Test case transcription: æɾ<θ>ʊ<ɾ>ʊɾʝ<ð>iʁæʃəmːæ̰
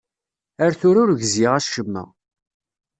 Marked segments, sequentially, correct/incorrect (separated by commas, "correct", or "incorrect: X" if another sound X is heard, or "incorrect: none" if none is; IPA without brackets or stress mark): correct, correct, incorrect: z